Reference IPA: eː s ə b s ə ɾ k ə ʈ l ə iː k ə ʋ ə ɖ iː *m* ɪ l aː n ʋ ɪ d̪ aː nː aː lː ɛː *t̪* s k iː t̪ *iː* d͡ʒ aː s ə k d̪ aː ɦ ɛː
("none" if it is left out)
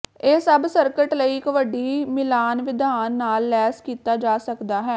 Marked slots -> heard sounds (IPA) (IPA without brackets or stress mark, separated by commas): m, none, aː